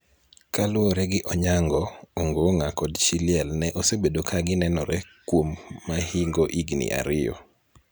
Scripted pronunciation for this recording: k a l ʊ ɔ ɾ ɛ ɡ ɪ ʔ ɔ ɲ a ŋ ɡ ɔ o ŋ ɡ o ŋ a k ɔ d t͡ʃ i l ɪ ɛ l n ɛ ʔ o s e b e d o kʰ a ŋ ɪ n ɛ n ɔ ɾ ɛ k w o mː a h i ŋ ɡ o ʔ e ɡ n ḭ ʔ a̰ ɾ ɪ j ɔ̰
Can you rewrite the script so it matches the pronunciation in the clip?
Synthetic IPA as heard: k a l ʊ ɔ ɾ ɛ ɡ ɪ ʔ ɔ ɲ a ŋ ɡ ɔ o ŋ ɡ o ŋ a k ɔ d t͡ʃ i l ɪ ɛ l n ɛ ʔ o s e b e d o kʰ a ɡ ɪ n ɛ n ɔ ɾ ɛ k w o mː a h i ŋ ɡ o ʔ i ɡ n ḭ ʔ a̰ ɾ ɪ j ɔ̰